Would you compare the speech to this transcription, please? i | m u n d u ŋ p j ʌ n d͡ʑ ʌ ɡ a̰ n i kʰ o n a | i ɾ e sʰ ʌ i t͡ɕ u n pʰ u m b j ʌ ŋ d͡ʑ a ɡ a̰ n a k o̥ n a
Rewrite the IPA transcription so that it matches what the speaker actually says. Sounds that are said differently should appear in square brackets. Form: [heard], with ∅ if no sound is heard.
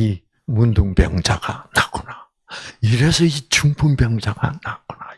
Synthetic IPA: i | m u n d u ŋ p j ʌ [ŋ] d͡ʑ [a] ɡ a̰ n [a] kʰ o n a | i ɾ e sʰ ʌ i t͡ɕ u [ŋ] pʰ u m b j ʌ ŋ d͡ʑ a ɡ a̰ n a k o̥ n a